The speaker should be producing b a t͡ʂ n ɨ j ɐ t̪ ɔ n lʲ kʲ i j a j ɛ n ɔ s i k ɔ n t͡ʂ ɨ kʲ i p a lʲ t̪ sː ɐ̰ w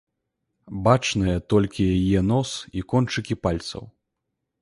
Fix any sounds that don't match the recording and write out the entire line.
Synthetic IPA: b a t͡ʂ n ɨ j ɐ t̪ ɔ lʲ kʲ i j a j ɛ n ɔ s i k ɔ n t͡ʂ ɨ kʲ i p a lʲ t̪ s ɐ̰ w